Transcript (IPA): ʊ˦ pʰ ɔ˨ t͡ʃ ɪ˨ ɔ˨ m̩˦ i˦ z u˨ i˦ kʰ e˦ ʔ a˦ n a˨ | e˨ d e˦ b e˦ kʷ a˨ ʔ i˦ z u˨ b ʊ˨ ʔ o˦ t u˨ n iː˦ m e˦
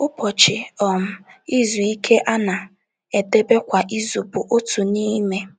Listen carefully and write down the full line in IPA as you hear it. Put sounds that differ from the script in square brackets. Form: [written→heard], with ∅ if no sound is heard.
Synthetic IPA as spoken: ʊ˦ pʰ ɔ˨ t͡ʃ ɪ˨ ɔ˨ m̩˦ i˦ z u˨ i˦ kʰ e˦ ʔ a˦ n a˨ | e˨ d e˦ b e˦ kʷ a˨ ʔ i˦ z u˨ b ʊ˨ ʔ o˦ t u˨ n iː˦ m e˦